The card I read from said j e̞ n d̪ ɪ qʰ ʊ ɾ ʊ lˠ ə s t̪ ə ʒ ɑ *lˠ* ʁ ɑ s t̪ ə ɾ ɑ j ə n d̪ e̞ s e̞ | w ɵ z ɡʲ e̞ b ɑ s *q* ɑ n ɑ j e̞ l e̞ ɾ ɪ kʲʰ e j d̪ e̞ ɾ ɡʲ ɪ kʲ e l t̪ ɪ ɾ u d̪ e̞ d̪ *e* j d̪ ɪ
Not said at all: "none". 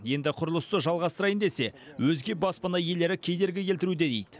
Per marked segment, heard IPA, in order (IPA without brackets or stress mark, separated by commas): lˠ, p, e